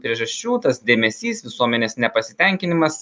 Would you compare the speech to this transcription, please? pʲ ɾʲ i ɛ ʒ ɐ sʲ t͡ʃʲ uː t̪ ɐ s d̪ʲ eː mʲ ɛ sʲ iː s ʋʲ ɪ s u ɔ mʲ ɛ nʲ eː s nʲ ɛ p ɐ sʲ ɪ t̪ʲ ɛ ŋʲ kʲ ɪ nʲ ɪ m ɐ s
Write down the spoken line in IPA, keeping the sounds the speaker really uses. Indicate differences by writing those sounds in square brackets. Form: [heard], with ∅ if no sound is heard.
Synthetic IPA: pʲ ɾʲ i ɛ ʒ ɐ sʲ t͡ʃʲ uː t̪ ɐ s d̪ʲ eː mʲ ɛ sʲ iː s ʋʲ ɪ s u ɔ mʲ ɛ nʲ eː s nʲ ɛ p ɐ sʲ ɪ t̪ʲ ɛ ŋʲ kʲ ɪ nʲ ɪ m ɐ s